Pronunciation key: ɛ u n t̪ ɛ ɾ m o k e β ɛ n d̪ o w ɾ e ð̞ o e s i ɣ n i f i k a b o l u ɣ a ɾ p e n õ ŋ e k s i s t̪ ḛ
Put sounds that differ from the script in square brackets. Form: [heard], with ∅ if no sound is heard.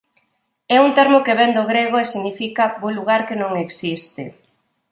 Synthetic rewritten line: ɛ u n t̪ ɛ ɾ m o k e β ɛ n d̪ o [ɣ] ɾ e [ɣ̞] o e s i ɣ n i f i k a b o l u ɣ a ɾ [k] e n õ ŋ e k s i s t̪ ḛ